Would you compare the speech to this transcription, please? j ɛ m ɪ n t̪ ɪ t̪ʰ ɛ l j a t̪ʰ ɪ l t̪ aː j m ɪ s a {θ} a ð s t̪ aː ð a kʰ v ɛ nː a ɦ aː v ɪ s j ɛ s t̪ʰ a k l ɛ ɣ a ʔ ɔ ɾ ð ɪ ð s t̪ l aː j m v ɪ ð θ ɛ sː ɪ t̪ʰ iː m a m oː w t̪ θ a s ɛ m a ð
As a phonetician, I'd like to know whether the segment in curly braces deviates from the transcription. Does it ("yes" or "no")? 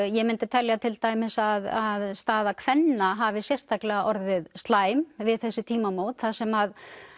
yes